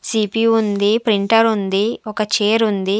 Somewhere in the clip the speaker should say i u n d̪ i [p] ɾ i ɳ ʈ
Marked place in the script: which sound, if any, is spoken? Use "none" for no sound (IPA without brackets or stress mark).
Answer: p